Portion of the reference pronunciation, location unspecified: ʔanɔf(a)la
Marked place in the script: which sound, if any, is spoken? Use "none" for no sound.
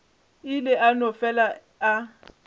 ɛ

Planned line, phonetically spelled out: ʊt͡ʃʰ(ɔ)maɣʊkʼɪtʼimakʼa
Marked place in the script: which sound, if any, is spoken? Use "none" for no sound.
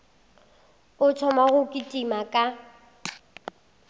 ɔ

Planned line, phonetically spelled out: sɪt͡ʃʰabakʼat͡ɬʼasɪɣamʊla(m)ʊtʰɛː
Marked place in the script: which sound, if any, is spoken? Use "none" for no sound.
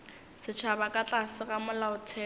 none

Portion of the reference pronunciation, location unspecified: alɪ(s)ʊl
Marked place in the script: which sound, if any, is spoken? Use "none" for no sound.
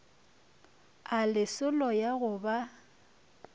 s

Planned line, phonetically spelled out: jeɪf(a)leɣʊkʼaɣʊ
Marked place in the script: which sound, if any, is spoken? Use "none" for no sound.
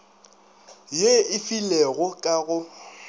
i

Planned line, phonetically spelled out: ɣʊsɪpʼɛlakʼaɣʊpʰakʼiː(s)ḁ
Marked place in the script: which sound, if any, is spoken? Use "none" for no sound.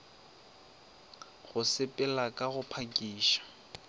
ʃ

